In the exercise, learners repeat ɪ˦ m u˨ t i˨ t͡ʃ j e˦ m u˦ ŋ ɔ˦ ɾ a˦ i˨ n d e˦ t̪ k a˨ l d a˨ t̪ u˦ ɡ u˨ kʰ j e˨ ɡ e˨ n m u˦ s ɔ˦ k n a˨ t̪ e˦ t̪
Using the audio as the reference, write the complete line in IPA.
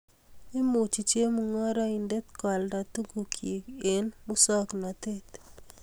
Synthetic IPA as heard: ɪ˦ m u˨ t͡ʃ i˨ t͡ʃ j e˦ m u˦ ŋ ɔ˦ ɾ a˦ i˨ n d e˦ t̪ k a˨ l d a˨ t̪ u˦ ɡ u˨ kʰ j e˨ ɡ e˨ n m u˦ s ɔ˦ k n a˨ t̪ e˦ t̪